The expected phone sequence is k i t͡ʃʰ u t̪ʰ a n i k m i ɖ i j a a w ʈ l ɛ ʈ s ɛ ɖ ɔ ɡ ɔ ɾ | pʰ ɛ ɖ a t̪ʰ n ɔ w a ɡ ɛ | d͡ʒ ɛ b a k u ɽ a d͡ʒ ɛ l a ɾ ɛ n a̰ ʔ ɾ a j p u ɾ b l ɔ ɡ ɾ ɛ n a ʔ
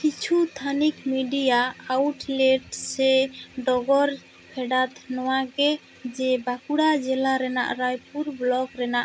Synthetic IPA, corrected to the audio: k i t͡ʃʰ u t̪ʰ a n i k m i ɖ i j a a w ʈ l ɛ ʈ s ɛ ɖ ɔ ɡ ɔ ɾ | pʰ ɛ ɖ a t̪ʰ n ɔ w a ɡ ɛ | d͡ʒ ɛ b a k u ɽ a d͡ʒ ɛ l a ɾ ɛ n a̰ ʔ ɾ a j p u ɾ b l ɔ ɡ ɾ ɛ n a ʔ